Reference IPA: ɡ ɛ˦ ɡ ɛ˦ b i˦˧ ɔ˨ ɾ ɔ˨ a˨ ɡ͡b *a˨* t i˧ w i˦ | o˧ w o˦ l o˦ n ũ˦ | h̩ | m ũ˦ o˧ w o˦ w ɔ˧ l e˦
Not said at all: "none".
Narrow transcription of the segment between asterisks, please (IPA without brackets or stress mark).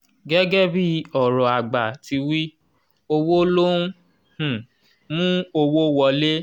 a˨